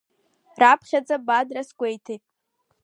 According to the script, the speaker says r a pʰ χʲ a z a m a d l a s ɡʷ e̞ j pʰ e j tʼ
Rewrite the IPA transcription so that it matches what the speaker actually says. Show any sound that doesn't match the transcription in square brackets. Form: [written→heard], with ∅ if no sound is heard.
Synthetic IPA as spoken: r a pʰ χʲ a [z→d͡z] a [m→b] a d [l→r] a s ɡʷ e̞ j [pʰ→tʰ] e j tʼ